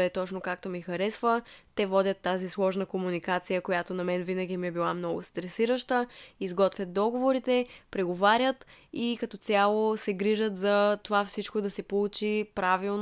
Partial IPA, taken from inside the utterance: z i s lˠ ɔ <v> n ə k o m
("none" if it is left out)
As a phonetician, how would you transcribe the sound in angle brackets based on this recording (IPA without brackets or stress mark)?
ʒ